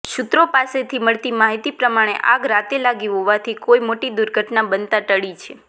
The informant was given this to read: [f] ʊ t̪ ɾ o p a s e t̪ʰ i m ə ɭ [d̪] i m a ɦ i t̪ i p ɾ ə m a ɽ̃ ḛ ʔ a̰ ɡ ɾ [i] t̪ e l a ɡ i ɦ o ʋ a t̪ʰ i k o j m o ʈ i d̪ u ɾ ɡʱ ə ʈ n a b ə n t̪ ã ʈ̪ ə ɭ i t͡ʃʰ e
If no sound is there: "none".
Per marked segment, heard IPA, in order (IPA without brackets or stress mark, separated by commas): ʃ, t̪, a